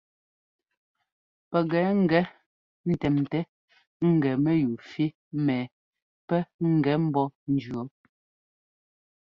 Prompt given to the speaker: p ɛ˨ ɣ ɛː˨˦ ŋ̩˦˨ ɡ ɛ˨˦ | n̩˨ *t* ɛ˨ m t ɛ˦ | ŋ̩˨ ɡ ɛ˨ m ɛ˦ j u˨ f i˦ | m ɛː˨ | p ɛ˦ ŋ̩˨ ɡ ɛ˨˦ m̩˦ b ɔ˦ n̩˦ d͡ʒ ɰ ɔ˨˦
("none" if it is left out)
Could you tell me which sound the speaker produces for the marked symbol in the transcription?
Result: t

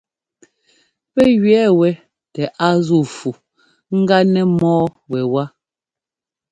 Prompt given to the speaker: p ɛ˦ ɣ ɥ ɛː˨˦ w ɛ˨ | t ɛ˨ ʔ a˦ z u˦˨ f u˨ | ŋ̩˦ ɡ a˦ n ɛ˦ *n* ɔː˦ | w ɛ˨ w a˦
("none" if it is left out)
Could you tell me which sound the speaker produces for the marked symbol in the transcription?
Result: m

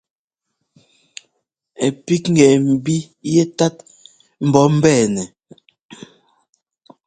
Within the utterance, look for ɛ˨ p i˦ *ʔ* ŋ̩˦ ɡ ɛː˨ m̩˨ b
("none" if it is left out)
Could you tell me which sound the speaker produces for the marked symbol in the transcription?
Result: k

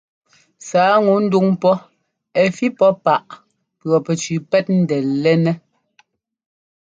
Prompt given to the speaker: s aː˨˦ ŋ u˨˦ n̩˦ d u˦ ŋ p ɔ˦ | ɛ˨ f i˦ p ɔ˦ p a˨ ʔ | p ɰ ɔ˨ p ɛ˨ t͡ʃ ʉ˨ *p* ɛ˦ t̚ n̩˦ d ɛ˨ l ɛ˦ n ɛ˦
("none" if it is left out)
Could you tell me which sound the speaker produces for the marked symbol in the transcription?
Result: p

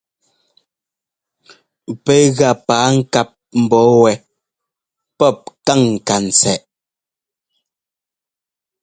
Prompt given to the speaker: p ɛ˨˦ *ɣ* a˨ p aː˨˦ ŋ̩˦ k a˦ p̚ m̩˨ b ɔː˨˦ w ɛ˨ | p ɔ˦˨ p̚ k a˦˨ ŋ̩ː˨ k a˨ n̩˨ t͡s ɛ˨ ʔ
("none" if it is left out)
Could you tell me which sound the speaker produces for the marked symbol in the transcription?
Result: ɣ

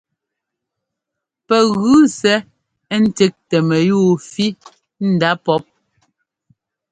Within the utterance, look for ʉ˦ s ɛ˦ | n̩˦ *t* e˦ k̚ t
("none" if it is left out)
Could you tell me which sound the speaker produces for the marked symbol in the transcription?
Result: t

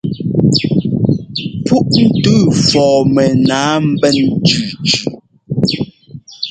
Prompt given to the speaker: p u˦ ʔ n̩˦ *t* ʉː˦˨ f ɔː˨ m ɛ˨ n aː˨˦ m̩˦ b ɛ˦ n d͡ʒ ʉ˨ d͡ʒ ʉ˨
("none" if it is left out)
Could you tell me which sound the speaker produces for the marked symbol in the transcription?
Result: t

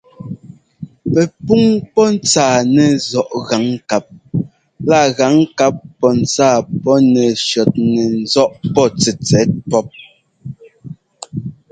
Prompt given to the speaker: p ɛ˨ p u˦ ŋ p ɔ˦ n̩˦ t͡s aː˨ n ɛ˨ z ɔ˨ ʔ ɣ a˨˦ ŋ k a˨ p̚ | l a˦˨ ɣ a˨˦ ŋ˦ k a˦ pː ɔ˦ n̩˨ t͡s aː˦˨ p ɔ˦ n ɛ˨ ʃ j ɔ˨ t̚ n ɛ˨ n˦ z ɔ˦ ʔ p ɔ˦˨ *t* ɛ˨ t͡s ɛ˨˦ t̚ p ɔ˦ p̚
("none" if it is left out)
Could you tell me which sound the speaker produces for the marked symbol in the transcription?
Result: t͡s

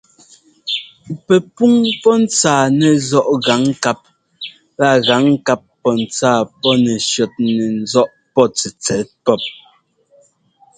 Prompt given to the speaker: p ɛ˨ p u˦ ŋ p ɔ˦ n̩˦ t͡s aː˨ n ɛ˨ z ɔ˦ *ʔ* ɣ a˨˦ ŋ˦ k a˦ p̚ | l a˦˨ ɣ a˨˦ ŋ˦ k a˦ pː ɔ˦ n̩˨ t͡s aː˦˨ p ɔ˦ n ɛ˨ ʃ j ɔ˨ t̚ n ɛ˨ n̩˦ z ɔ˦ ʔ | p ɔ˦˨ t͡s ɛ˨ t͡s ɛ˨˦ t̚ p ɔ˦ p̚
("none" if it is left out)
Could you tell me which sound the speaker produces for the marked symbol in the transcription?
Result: ʔ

